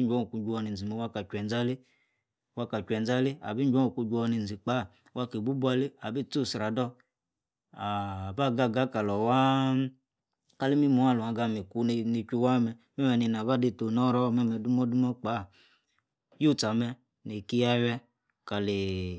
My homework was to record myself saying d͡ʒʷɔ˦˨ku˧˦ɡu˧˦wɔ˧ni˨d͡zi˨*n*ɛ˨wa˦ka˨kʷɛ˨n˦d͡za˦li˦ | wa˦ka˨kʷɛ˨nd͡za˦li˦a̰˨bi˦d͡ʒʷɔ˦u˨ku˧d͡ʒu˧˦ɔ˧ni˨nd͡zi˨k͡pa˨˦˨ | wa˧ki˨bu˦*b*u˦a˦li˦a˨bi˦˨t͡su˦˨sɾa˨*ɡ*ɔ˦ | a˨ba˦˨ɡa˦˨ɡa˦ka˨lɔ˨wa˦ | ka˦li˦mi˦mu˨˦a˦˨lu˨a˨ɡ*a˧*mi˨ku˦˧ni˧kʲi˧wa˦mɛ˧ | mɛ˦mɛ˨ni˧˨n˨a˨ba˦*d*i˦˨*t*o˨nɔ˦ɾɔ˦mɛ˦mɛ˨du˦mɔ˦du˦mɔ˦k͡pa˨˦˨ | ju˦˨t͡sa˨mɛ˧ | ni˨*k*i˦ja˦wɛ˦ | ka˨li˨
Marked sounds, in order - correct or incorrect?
incorrect: m, correct, incorrect: d, correct, correct, correct, correct

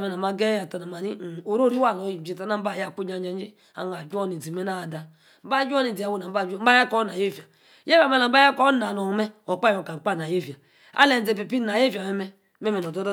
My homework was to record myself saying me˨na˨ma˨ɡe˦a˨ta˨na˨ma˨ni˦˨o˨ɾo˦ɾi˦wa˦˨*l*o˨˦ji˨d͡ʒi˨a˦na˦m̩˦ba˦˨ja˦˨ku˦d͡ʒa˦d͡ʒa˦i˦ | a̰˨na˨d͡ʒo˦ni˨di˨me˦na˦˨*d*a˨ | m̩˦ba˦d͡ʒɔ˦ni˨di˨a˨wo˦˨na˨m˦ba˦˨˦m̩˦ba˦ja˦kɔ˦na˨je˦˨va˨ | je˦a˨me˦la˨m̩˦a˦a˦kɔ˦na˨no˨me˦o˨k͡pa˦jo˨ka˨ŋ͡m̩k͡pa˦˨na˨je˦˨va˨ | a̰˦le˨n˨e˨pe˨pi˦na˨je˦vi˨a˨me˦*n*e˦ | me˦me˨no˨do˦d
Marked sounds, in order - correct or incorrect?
correct, correct, incorrect: m

